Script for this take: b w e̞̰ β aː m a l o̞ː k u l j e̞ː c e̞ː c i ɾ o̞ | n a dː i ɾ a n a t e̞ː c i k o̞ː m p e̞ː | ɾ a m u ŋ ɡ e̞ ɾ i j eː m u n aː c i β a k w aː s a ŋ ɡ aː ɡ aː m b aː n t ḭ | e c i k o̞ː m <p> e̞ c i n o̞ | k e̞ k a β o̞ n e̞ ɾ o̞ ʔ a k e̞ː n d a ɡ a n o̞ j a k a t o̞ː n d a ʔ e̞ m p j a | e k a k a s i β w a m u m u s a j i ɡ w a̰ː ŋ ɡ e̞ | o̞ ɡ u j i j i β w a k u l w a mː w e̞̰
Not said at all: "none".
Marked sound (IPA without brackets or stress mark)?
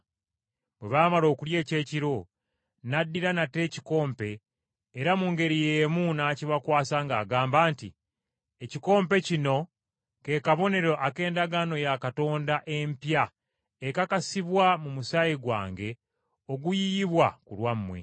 p